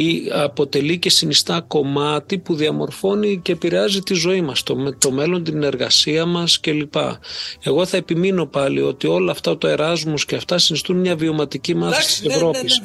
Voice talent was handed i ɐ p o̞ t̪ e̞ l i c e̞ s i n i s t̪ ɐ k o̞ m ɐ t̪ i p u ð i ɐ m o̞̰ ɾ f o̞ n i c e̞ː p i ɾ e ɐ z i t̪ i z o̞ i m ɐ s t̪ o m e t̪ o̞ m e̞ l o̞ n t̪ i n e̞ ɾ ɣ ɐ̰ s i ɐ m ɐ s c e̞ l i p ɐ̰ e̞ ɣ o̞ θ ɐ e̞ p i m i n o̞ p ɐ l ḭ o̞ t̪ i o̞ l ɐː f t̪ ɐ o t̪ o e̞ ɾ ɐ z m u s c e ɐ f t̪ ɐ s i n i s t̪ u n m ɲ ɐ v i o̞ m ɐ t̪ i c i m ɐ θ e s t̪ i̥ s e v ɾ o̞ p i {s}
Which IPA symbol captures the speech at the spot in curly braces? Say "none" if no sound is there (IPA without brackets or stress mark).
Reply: s